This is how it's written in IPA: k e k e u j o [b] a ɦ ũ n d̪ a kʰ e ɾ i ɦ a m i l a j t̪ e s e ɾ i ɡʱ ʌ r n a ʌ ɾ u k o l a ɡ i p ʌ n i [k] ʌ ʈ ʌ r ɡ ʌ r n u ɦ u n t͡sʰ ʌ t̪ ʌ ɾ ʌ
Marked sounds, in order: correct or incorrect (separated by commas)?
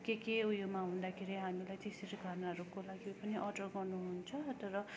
incorrect, incorrect